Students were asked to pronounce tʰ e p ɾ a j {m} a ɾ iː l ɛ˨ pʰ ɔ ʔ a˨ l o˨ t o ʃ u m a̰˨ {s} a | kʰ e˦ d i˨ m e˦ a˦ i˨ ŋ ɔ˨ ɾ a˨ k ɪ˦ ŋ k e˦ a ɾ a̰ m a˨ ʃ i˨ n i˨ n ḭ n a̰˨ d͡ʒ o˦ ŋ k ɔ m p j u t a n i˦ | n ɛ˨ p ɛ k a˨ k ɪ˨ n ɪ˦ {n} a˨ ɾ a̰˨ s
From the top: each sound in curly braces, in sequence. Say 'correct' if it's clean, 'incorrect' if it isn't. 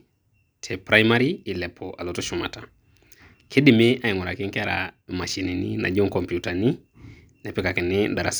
correct, incorrect: t, incorrect: d

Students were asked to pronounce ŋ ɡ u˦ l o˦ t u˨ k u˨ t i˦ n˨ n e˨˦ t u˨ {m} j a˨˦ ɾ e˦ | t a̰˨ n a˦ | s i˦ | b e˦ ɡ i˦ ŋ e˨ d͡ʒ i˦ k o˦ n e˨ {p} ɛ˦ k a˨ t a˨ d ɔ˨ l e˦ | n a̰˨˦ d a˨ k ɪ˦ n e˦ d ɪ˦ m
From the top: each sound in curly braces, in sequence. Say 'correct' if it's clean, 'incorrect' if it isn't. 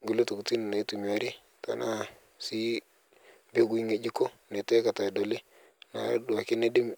correct, incorrect: t

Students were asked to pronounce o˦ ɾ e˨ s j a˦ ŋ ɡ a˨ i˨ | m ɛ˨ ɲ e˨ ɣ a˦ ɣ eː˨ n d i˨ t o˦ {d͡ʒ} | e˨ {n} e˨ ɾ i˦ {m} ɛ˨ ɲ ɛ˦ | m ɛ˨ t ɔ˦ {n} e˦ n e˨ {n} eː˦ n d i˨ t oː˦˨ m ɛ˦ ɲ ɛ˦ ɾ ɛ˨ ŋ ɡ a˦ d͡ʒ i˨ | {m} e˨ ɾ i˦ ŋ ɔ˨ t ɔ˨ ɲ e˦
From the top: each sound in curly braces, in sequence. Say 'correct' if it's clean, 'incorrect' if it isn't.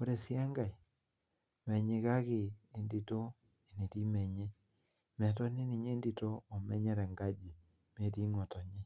incorrect: none, correct, correct, correct, incorrect: ɲ, correct

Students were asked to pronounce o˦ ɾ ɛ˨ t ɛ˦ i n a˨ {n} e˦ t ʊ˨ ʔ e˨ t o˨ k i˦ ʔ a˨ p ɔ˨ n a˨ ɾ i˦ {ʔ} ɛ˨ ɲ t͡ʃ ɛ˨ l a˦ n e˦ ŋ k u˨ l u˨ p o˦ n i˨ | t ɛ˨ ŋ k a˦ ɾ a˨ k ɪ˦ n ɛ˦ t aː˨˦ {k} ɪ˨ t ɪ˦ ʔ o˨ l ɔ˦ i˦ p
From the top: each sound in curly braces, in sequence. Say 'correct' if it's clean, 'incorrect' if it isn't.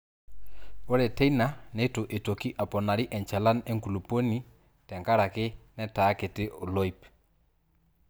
correct, correct, correct

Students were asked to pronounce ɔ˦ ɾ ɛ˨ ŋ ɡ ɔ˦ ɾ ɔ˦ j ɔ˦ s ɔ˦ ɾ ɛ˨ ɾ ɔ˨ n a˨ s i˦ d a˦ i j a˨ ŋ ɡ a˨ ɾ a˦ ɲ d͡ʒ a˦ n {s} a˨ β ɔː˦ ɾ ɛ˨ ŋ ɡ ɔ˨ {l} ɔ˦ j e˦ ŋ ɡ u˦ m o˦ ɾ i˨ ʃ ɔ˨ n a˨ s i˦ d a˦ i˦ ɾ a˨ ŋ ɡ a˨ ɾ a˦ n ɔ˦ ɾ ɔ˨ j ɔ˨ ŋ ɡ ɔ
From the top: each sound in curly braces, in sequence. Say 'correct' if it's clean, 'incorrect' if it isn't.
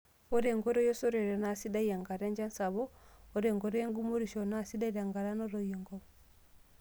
correct, incorrect: ɾ

